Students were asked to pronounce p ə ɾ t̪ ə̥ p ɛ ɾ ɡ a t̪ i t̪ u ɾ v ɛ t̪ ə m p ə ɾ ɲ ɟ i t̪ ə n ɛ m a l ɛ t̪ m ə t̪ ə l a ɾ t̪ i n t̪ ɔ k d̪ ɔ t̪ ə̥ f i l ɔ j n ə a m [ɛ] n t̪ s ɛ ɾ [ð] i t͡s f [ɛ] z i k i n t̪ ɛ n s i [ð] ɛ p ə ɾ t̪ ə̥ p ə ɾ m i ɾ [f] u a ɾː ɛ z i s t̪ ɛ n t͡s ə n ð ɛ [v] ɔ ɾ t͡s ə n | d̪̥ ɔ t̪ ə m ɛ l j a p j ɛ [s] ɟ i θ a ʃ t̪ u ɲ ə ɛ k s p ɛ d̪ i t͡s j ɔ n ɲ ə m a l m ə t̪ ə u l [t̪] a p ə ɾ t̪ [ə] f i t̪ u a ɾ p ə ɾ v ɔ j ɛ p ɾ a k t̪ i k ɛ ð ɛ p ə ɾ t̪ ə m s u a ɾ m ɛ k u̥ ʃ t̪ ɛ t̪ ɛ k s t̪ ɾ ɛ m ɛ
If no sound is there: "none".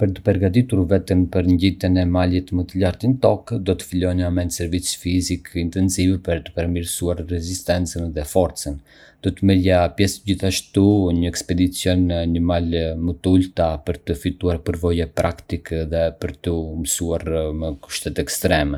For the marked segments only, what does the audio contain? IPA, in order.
ɛ, v, i, v, s, f, s, t̪, ə

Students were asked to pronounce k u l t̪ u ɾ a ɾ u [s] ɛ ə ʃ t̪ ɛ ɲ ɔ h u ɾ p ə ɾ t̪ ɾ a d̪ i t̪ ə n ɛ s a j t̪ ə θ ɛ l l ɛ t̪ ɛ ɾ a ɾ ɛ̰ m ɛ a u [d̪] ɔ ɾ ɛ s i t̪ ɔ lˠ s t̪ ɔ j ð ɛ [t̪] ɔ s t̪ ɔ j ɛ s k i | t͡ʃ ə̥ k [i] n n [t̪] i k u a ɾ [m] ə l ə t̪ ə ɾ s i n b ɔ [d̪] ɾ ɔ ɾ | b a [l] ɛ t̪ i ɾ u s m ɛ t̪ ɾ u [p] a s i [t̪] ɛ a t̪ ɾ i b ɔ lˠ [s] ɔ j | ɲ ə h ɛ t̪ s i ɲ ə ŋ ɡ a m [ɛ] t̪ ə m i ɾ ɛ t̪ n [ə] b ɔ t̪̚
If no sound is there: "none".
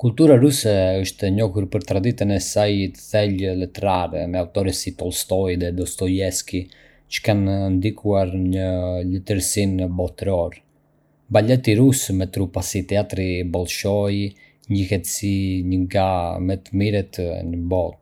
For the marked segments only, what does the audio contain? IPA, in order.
s, t̪, d̪, a, d̪, ɲ, t̪, l, p, t̪, ʃ, ɛ, ə

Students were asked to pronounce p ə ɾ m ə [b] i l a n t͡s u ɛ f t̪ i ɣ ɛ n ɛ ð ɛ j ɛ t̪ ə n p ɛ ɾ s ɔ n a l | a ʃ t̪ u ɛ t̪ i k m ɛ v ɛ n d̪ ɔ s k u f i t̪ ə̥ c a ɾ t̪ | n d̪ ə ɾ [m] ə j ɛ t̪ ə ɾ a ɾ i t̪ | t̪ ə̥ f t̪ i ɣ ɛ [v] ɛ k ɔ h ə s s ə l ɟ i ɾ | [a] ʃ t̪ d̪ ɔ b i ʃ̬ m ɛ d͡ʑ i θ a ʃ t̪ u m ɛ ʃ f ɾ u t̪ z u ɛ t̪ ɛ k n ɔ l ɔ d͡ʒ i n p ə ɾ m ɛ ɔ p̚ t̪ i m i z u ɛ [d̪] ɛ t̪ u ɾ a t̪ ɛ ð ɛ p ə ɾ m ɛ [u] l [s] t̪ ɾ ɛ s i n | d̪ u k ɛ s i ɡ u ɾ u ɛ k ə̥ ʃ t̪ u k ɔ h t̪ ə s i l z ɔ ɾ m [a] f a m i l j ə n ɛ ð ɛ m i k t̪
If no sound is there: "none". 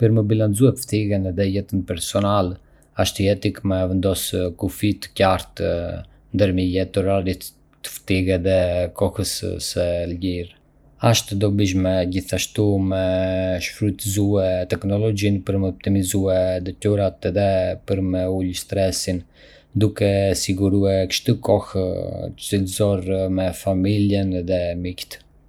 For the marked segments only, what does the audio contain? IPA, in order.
b, m, ð, a, d̪, u, s, ɛ

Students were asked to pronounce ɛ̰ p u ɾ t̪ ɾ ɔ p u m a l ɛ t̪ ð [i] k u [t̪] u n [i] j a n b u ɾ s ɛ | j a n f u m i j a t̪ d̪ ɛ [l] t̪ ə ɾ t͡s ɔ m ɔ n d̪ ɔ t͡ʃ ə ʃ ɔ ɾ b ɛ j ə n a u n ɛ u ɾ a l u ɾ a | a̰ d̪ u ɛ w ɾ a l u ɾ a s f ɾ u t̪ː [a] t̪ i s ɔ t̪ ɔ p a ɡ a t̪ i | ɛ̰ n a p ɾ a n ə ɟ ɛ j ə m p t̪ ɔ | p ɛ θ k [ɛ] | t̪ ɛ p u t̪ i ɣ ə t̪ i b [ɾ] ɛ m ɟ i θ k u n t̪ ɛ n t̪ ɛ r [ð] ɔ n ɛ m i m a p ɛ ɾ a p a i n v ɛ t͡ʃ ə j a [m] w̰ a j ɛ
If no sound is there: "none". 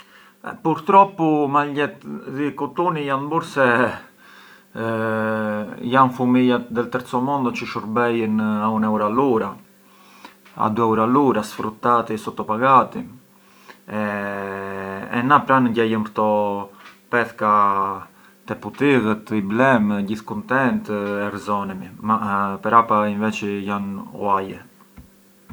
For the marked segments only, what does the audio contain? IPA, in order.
i, t̪, i, l, a, a, l, z, n

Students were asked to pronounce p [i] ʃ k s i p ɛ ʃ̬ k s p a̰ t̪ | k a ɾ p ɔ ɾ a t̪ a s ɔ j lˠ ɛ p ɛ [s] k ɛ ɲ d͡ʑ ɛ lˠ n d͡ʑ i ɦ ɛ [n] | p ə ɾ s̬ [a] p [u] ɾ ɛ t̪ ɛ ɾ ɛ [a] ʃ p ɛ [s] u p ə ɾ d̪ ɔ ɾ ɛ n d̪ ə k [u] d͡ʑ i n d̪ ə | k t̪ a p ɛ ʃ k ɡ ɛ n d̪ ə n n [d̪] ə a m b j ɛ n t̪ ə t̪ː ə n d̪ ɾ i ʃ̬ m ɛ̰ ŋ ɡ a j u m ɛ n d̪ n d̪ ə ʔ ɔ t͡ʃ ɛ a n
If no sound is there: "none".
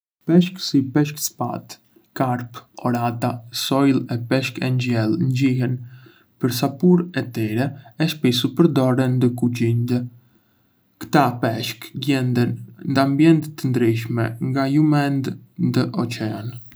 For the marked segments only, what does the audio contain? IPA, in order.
ɛ, ʃ, n, a, u, ɛ, s, u, d̪

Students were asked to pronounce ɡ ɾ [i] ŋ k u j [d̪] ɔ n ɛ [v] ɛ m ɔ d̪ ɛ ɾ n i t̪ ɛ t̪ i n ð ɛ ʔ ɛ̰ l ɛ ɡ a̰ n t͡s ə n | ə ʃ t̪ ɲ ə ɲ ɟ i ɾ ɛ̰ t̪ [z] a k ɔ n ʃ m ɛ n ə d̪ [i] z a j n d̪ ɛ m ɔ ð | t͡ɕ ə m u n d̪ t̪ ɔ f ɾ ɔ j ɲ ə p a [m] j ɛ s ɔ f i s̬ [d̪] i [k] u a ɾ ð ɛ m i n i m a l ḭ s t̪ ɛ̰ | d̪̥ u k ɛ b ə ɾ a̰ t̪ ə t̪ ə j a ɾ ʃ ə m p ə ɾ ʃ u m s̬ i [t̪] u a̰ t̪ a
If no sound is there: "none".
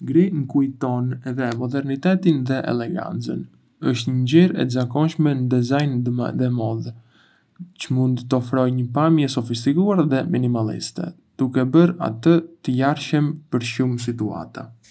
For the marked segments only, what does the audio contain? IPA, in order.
i, t̪, ð, z, ɛ, m, t̪, k, t̪

